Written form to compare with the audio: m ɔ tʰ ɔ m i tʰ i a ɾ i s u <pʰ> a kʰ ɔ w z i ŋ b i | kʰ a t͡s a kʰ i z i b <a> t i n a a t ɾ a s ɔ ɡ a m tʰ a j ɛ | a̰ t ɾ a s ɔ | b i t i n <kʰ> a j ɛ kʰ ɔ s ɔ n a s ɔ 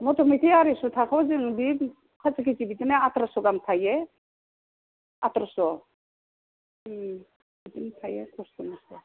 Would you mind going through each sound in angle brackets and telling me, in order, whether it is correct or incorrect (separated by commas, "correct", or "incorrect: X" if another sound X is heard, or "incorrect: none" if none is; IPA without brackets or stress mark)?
incorrect: tʰ, incorrect: i, incorrect: tʰ